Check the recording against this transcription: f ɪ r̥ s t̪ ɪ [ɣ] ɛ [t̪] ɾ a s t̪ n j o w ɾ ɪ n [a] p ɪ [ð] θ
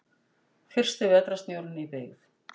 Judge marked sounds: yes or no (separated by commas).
no, yes, no, no